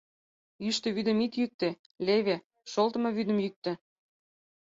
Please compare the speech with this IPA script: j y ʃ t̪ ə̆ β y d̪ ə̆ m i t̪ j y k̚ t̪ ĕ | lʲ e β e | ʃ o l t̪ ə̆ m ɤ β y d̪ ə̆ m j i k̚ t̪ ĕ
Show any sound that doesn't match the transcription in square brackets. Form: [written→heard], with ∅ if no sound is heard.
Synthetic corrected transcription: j y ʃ t̪ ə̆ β y d̪ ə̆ m i t̪ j y k̚ t̪ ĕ | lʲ e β e | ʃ o l t̪ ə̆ m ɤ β y d̪ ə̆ m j [i→y] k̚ t̪ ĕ